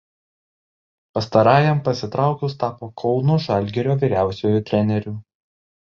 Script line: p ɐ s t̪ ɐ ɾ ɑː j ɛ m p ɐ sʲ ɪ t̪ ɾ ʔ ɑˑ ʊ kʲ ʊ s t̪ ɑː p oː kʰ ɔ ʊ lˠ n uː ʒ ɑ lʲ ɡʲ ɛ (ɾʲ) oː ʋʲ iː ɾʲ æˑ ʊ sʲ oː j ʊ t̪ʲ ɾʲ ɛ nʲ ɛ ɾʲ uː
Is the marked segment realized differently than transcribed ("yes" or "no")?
no